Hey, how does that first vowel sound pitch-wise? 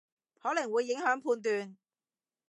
rising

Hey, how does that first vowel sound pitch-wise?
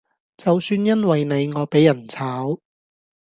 low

